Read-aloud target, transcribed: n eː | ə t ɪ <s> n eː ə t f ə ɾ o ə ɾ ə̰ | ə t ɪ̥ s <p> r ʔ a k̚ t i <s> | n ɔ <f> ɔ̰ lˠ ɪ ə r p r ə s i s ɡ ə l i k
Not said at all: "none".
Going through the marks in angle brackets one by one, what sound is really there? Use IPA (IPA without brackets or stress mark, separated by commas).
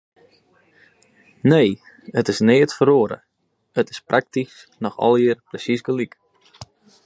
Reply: s, p, s, x